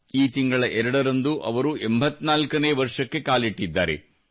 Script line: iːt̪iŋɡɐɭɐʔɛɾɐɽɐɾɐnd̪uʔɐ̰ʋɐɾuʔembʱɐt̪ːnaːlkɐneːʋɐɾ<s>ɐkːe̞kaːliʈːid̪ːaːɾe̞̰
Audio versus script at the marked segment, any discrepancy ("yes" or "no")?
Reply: yes